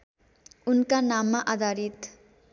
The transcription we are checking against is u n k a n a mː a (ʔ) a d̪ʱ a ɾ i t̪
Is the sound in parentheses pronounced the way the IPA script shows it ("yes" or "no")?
yes